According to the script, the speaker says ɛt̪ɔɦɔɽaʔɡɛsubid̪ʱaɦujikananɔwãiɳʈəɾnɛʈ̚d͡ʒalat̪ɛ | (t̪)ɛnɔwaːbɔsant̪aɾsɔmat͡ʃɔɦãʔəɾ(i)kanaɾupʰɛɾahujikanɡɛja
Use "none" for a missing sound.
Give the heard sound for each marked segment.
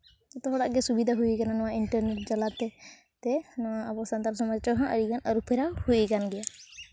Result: t̪, i

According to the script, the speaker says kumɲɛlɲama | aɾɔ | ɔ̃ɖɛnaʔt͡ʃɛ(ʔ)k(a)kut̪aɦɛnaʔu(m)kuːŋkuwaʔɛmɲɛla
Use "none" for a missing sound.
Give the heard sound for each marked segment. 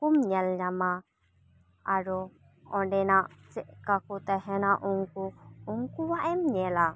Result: ʔ, a, ŋ

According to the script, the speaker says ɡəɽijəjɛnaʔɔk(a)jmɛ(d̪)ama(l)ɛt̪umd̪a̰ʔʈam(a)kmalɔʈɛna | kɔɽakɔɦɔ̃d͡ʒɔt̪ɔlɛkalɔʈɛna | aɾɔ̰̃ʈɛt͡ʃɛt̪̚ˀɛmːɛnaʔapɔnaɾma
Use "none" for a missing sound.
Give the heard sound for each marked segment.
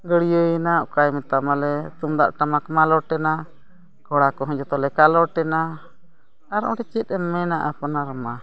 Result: a, t̪, l, a

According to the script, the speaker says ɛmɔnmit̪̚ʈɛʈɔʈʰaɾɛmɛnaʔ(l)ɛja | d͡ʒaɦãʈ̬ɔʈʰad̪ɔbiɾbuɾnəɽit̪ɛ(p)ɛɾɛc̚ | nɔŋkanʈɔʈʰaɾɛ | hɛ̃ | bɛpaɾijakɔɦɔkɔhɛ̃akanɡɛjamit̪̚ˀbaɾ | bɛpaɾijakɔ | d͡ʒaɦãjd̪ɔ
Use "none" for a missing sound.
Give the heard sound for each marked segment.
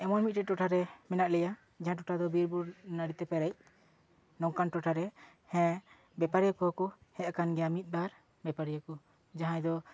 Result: l, p

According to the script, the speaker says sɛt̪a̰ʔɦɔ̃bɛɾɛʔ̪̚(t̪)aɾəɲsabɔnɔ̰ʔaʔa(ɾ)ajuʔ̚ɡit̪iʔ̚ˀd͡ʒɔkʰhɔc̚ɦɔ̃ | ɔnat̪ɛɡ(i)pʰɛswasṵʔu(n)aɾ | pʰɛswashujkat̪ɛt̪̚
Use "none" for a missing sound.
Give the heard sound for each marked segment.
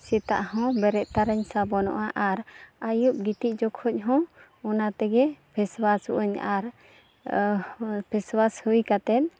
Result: t̪, ɾ, ɛ, ɲ

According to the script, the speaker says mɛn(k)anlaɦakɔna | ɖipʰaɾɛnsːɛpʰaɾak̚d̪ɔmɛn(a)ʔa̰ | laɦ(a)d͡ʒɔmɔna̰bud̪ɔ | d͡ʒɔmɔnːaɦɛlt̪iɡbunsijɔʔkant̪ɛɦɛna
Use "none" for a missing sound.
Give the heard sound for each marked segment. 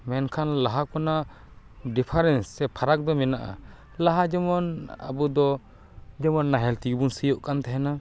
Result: kʰ, a, a

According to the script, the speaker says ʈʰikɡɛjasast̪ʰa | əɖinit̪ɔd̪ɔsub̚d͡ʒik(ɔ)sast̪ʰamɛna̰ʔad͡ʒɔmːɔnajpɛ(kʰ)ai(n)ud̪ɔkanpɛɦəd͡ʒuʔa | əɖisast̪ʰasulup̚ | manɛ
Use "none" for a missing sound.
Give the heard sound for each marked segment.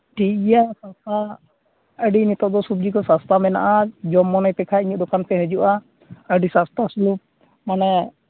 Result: ɔ, kʰ, ɲ

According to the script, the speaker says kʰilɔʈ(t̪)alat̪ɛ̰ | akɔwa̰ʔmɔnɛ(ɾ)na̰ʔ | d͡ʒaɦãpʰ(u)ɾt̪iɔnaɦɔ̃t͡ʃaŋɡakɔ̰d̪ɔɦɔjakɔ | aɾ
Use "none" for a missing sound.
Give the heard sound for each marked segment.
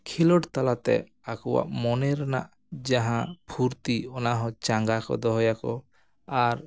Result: t̪, ɾ, u

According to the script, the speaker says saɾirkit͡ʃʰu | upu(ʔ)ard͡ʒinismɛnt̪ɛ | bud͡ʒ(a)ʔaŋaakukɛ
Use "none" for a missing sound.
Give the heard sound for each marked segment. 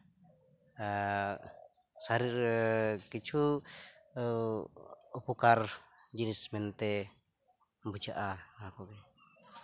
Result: k, a

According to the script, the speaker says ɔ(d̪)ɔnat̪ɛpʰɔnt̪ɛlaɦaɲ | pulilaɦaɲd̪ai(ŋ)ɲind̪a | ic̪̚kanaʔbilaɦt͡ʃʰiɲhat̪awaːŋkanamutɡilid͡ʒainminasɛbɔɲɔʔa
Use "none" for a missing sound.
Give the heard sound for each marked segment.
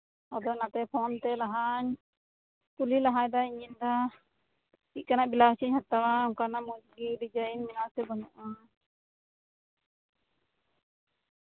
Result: d̪, none

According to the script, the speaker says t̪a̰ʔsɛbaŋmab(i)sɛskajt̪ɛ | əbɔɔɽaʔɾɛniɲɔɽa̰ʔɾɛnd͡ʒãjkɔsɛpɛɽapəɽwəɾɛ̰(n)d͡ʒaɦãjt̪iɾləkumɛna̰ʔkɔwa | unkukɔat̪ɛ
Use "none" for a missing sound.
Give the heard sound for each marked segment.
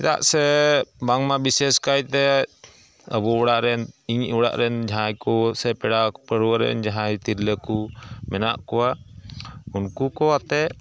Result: i, n

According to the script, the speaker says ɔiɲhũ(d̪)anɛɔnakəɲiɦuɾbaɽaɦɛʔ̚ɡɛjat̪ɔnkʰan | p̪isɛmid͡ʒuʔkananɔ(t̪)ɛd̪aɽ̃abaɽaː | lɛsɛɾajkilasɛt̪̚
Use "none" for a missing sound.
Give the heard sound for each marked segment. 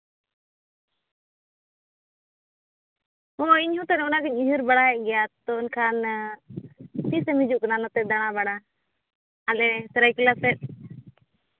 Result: t̪, t̪

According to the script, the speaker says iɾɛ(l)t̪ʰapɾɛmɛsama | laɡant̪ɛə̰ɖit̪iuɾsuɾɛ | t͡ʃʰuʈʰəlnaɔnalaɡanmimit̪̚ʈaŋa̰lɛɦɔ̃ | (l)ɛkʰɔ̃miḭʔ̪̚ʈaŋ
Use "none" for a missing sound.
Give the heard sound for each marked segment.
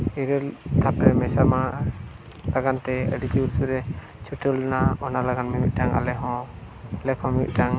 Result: l, l

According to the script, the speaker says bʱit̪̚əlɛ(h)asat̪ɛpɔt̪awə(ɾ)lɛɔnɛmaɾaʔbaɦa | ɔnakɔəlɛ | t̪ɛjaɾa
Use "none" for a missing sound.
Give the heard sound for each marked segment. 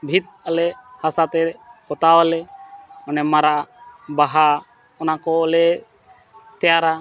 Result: h, none

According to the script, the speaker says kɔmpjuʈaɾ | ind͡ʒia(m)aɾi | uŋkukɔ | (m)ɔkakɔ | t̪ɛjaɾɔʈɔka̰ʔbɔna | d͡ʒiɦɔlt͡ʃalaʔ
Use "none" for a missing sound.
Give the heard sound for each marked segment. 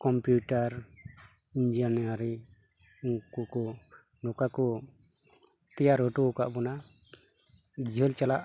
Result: n, n

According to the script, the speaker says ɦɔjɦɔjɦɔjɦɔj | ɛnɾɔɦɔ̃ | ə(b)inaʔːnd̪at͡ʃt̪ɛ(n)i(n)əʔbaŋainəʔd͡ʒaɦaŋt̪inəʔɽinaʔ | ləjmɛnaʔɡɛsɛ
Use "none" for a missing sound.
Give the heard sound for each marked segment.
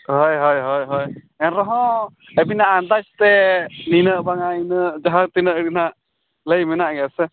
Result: b, n, n

